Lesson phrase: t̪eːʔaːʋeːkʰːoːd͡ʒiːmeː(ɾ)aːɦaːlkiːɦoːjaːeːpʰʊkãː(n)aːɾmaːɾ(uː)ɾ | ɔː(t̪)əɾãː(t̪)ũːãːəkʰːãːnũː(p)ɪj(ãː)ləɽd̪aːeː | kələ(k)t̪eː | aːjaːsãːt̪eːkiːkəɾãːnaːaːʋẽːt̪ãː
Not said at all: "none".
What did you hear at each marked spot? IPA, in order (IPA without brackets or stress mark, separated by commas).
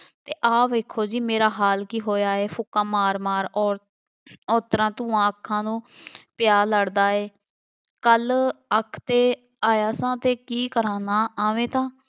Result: ɾ, m, ɔː, t̪, t̪, p, aː, kʰ